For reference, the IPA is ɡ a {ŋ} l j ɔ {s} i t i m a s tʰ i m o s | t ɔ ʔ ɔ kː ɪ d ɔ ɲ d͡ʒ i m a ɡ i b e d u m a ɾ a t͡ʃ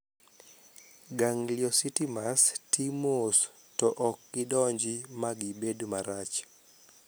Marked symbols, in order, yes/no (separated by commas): yes, yes